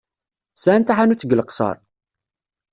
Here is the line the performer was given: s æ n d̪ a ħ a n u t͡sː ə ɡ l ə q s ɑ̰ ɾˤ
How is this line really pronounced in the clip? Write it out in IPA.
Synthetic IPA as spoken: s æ n t̪ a ħ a n u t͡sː ə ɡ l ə q s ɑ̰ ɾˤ